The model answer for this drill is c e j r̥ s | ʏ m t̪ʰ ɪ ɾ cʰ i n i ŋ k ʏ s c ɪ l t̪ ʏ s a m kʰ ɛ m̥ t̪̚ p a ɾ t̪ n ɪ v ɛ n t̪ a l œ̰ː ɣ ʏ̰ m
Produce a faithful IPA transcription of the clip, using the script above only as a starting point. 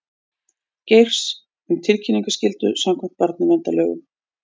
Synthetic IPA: c e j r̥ s | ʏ m t̪ʰ ɪ l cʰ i n i ŋ k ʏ s c ɪ l t̪ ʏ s a m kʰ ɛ m̥ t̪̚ p a ɾ t̪ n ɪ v ɛ n t̪ a l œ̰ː ɣ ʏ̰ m